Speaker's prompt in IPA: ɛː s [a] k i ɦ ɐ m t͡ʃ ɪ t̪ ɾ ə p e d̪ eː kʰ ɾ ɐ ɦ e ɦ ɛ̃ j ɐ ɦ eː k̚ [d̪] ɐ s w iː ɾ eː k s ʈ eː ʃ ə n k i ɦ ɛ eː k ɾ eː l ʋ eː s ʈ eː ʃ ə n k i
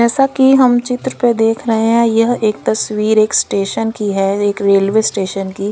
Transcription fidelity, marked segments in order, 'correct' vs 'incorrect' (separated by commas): correct, incorrect